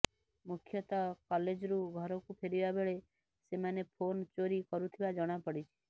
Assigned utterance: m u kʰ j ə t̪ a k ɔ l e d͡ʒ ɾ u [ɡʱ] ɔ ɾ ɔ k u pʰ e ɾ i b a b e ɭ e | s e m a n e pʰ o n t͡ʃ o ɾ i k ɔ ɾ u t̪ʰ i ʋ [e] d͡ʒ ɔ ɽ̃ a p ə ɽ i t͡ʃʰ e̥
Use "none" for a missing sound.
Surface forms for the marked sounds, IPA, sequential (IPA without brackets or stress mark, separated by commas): ɡʱ, a